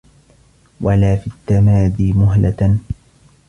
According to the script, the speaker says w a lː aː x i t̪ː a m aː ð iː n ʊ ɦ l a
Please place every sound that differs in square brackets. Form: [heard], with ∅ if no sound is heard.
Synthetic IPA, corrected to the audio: w a [l] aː [f] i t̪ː a m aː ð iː [m] ʊ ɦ l a